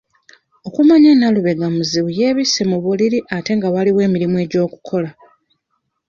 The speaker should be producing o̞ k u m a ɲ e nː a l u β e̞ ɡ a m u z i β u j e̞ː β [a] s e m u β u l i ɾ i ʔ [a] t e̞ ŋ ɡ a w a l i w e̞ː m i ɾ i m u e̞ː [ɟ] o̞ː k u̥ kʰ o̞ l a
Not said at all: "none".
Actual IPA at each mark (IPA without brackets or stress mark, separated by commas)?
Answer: i, a, ɟ